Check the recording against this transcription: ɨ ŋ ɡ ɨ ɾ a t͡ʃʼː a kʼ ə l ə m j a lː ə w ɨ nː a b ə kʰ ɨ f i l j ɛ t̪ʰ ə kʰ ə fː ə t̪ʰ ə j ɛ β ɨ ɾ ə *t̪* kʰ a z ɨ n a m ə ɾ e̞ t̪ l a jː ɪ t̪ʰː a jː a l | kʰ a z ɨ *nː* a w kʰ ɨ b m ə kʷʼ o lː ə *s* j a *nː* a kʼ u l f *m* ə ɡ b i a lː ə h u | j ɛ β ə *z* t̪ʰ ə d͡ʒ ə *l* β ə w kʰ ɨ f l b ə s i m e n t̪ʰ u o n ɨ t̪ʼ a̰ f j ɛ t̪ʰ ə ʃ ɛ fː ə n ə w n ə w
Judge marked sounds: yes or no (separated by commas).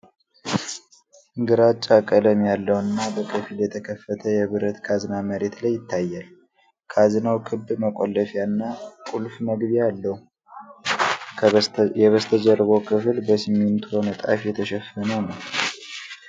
yes, no, no, yes, yes, no, no